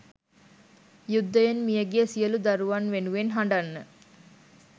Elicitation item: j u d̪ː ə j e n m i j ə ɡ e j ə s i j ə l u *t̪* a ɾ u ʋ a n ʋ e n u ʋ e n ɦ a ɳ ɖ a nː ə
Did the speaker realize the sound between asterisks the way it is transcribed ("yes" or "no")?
no